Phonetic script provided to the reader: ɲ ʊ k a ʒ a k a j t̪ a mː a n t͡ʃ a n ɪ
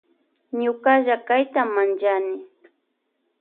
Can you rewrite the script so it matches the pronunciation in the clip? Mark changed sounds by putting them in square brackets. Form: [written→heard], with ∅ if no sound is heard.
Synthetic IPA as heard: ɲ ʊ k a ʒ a k a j t̪ a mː a n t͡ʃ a n ɪ